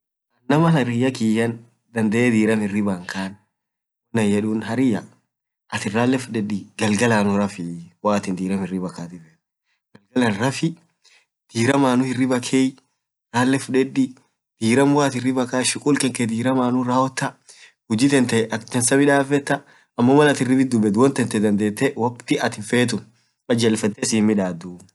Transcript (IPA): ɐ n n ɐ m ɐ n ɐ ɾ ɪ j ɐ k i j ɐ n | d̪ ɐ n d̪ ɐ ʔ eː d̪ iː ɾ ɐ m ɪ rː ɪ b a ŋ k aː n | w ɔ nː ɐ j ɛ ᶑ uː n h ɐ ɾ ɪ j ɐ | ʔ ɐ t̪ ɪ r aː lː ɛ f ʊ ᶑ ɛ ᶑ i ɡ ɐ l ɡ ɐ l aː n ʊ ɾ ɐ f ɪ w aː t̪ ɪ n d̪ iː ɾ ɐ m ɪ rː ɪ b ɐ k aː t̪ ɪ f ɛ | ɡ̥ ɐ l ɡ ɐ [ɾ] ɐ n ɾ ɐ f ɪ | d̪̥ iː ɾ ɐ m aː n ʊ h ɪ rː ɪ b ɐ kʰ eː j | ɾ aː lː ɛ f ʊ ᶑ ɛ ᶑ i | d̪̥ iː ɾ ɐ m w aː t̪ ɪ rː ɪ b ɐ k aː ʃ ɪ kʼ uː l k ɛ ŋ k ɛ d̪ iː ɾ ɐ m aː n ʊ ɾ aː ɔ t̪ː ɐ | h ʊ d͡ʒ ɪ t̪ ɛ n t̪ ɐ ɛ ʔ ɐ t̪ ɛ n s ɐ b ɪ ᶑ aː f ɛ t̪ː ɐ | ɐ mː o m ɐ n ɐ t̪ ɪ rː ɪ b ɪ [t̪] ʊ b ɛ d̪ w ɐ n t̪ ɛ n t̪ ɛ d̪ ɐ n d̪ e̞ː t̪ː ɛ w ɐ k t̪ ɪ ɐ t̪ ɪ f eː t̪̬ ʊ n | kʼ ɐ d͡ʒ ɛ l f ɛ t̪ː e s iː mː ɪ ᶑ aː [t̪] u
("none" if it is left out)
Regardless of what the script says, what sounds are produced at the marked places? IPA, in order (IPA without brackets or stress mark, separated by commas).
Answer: l, d̪, d̪